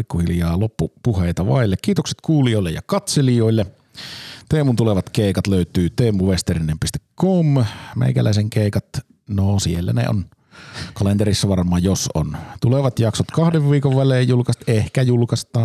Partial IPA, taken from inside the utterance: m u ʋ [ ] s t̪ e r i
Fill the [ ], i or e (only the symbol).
e